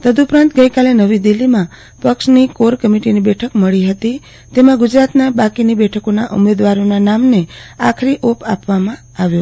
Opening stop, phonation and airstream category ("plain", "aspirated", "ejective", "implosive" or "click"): plain